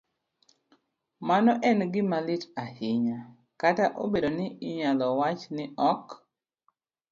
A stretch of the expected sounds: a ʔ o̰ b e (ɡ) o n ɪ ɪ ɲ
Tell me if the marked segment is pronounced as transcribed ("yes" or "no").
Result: no